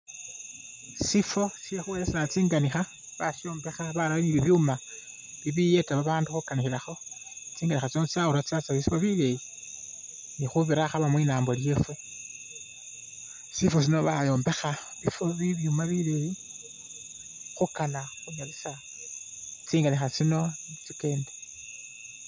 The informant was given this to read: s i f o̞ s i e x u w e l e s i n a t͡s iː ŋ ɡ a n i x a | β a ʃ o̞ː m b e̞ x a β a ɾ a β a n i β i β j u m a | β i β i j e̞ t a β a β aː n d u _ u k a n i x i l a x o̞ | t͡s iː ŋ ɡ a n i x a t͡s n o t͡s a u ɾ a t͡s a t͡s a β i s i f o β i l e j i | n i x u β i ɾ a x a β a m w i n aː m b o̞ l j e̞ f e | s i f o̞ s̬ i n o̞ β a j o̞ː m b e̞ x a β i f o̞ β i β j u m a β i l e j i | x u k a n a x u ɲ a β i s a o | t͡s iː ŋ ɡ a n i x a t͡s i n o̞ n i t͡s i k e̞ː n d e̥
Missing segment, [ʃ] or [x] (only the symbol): x